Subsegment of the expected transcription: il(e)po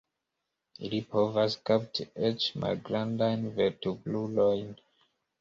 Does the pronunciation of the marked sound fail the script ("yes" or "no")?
yes